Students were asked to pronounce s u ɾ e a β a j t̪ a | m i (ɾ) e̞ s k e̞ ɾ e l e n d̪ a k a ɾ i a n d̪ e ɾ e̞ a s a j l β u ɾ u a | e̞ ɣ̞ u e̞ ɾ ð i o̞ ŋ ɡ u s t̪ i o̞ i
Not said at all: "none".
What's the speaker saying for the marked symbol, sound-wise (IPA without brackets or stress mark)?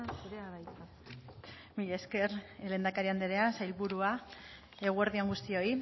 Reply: ʎ